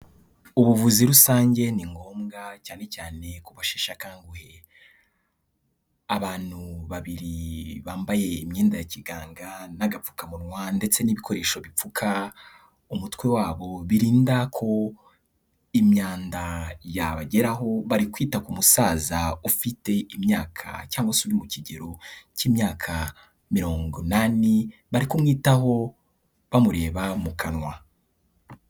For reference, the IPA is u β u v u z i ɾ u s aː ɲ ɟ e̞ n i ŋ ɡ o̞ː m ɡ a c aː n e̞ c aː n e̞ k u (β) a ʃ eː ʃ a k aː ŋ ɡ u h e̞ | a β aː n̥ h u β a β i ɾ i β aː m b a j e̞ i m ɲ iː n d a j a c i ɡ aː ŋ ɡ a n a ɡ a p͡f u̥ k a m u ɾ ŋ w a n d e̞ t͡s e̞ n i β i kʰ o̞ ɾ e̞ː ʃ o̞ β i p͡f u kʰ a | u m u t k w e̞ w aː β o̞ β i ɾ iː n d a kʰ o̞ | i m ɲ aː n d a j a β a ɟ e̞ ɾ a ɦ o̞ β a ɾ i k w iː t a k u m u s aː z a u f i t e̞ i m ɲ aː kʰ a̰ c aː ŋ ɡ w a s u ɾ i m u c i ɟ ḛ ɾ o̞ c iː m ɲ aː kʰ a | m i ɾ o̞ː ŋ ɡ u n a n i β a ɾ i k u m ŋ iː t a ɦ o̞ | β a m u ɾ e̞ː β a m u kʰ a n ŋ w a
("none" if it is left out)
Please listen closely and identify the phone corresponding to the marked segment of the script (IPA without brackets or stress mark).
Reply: β